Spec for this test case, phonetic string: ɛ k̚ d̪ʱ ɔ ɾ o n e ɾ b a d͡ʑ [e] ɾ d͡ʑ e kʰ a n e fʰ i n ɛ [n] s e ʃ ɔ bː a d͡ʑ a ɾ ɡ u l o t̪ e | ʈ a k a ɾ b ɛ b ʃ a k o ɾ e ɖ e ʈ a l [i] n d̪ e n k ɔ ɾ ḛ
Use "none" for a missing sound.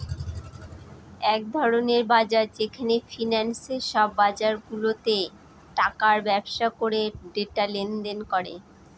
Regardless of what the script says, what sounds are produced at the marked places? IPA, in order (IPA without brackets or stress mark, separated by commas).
a, n, e